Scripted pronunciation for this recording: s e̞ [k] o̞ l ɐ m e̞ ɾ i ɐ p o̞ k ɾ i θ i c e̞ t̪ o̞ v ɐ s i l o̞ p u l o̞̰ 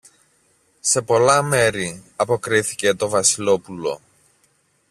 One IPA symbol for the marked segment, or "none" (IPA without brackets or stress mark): p